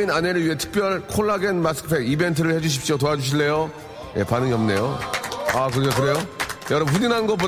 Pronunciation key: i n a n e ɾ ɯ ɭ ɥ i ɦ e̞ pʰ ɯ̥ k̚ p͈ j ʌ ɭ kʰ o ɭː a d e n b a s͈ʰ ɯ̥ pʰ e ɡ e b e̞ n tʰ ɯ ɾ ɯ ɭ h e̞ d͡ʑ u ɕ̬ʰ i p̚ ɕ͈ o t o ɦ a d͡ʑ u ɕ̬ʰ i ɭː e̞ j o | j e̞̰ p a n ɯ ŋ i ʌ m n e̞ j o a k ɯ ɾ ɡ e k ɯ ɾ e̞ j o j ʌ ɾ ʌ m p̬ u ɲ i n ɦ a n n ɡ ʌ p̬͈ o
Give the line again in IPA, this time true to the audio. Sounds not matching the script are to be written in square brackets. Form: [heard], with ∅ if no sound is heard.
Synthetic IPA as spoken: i n a n e ɾ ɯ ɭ ɥ i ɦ e̞ [tʰ] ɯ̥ k̚ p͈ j ʌ ɭ kʰ o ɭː a [ɡ] e n [m] a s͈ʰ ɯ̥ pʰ e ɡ [i] b e̞ n tʰ ɯ ɾ ɯ ɭ h e̞ d͡ʑ u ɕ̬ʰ i p̚ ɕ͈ o t o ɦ a d͡ʑ u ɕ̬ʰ i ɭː e̞ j o | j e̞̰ p a n ɯ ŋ i ʌ m n e̞ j o a k ɯ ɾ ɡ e k ɯ ɾ e̞ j o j ʌ ɾ ʌ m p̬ u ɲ i n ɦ a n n ɡ ʌ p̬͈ o